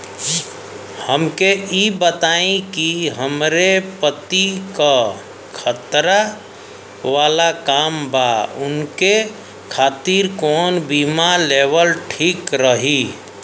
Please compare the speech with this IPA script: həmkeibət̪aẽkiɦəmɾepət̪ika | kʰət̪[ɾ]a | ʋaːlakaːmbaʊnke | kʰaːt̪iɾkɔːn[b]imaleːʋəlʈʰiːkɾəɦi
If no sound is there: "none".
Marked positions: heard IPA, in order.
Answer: ɾ, b

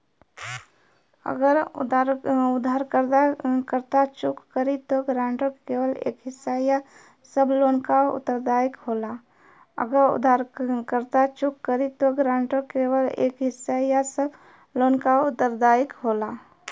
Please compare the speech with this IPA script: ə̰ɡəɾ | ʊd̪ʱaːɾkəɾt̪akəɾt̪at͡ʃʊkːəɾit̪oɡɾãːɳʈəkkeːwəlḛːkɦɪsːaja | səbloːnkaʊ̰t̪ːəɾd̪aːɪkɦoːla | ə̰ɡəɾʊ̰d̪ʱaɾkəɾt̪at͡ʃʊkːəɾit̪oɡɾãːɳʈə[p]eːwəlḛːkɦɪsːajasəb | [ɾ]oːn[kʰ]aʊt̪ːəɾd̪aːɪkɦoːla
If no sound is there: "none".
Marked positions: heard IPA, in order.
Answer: k, l, k

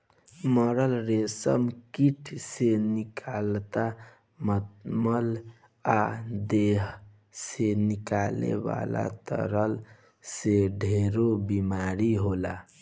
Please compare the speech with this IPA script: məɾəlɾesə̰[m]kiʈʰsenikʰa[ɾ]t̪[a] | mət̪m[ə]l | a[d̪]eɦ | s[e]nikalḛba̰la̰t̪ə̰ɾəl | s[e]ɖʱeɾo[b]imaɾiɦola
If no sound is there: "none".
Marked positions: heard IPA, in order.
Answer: m, l, a, ə, d̪, e, e, b

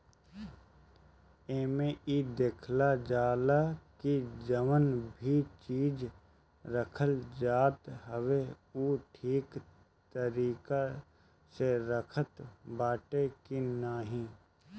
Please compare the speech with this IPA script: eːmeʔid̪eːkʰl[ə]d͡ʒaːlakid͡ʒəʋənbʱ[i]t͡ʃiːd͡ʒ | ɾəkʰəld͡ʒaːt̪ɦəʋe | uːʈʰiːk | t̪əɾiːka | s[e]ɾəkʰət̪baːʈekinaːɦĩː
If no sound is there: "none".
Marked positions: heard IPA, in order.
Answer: a, i, e

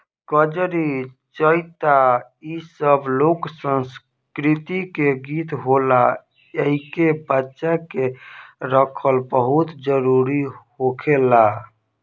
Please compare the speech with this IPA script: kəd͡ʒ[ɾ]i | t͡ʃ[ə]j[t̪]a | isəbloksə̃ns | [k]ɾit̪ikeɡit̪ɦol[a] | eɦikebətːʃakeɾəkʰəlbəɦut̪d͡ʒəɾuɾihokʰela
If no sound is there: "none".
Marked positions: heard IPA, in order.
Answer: ɾ, ə, t̪, k, a

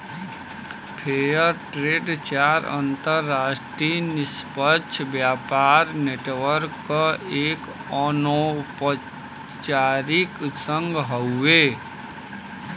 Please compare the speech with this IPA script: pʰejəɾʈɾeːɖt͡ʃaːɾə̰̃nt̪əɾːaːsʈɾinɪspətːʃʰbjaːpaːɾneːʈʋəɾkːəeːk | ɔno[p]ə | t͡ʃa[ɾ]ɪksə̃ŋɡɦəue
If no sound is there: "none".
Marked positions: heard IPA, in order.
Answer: p, ɾ

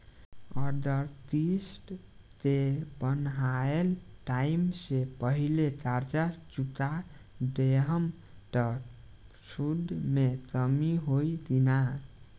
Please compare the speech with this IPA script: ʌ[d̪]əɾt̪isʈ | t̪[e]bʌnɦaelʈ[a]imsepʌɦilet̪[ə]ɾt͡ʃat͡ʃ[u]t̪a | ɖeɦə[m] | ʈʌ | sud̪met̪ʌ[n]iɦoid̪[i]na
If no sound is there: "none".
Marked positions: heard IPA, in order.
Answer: d̪, e, a, a, u, m, m, i

